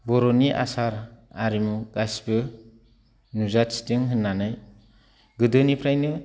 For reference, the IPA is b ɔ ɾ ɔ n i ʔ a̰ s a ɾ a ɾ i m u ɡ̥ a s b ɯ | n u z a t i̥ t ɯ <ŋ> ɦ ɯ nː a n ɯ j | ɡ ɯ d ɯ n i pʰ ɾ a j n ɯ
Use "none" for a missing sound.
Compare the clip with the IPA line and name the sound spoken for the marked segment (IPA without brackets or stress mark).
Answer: ŋ